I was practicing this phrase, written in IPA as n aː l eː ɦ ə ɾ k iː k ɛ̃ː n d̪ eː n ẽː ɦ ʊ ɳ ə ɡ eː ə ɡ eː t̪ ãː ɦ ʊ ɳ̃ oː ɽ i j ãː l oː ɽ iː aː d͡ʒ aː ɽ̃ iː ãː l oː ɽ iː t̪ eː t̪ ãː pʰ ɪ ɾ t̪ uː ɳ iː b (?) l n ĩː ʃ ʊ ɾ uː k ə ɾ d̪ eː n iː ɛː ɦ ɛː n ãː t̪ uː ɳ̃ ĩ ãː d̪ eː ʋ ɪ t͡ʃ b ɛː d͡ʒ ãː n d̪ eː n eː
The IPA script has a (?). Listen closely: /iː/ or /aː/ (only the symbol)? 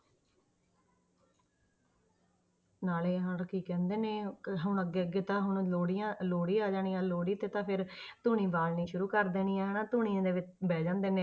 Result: aː